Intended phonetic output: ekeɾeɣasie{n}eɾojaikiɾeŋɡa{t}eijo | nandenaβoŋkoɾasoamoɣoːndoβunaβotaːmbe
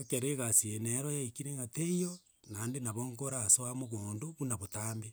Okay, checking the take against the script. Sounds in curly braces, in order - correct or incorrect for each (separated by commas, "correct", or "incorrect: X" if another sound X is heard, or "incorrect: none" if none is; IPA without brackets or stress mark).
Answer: correct, correct